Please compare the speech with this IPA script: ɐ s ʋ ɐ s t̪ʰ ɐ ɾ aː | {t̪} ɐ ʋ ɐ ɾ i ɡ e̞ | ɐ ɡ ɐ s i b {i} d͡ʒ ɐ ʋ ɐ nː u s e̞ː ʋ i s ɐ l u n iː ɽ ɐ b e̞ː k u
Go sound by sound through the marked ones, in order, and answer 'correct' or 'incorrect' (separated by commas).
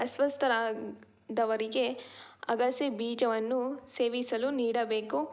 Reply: incorrect, incorrect